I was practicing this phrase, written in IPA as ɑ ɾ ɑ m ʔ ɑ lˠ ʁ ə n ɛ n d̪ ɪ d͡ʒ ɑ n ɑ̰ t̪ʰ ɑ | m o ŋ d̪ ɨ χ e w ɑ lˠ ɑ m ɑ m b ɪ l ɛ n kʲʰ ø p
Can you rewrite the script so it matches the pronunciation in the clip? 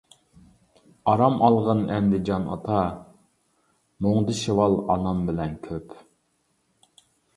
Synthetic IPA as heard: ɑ ɾ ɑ m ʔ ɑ lˠ ʁ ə n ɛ n d̪ ɪ d͡ʒ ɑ n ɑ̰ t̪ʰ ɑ | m o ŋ d̪ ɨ ʃ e w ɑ lˠ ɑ n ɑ m b ɪ l ɛ n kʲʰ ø p